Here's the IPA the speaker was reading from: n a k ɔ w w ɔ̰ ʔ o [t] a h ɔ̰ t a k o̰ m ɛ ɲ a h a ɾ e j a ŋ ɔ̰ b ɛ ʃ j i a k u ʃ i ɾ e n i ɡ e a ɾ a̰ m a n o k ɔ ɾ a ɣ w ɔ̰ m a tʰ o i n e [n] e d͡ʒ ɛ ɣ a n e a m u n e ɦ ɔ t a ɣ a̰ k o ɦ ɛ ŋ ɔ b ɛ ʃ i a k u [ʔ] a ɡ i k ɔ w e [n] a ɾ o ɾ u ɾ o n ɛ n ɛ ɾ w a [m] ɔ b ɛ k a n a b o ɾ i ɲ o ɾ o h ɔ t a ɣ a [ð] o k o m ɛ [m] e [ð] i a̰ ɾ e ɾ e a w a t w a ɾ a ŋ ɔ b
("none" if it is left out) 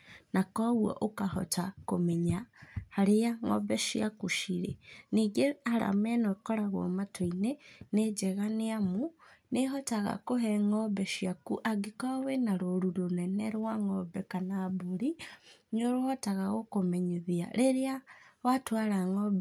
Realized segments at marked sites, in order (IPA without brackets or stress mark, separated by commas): k, n, ʔ, n, ŋ, ɣ, ɲ, ð